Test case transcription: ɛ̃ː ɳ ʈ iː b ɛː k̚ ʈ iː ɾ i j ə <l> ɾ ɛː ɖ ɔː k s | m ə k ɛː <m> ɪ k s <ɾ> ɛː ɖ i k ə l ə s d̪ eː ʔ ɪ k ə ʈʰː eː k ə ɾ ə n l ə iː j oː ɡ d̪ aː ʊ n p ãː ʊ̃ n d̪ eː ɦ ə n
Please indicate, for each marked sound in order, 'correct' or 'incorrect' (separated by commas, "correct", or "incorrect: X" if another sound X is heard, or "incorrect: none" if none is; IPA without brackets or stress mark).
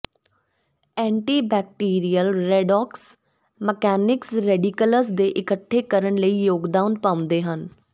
correct, incorrect: n, correct